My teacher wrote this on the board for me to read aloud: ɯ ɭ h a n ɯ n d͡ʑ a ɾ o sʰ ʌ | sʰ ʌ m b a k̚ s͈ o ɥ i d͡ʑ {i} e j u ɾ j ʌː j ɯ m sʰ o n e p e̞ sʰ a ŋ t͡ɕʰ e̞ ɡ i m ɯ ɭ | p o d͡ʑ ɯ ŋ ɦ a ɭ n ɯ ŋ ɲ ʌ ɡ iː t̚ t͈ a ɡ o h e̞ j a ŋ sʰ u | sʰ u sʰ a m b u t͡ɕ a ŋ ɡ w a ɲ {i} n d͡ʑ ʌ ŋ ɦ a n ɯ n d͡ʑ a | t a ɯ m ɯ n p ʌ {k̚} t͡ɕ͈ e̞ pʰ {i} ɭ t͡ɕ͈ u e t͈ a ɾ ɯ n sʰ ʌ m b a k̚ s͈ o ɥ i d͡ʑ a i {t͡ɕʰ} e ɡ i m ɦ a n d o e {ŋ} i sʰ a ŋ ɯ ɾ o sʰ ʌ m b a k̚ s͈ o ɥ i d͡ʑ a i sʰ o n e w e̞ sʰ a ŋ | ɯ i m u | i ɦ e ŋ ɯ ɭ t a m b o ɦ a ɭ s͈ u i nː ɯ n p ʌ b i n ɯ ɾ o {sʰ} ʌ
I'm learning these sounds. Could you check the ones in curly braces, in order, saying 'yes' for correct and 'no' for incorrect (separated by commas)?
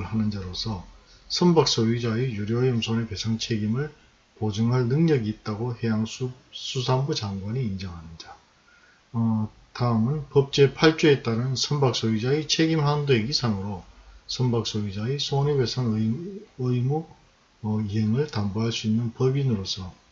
no, no, no, no, yes, no, yes